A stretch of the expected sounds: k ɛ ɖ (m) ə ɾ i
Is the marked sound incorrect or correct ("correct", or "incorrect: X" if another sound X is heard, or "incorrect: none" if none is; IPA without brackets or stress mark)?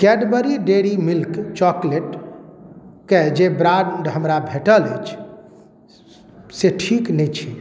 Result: incorrect: b